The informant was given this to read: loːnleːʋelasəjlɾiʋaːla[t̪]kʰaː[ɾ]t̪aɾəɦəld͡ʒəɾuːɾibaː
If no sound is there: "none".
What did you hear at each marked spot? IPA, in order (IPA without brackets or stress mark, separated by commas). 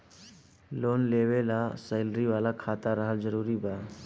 none, none